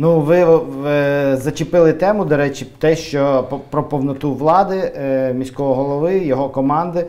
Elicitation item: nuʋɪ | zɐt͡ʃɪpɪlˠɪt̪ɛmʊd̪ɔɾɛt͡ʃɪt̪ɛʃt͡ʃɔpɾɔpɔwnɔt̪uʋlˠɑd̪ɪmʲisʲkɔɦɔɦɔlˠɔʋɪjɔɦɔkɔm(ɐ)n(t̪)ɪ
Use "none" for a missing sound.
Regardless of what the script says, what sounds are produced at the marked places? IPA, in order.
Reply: ɑ, d̪

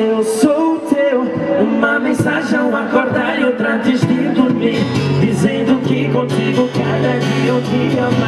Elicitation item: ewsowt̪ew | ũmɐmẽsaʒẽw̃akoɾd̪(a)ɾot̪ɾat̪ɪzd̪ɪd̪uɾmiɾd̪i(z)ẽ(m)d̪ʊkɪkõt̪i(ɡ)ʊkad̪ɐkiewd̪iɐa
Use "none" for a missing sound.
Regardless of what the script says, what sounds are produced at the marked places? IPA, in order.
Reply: a, z, n, ɡ

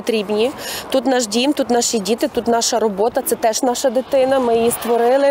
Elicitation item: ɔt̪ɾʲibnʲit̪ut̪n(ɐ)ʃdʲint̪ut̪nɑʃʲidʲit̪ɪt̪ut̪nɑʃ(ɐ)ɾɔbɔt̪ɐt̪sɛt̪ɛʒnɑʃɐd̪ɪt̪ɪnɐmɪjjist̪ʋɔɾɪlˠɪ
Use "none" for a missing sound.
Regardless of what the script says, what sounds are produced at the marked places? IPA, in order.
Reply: ɑ, ɐ

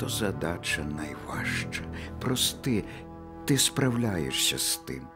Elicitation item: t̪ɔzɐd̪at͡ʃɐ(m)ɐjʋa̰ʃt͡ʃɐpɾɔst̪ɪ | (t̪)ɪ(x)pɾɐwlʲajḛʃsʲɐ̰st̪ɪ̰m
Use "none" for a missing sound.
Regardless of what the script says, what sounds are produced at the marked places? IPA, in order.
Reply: n, t̪, s

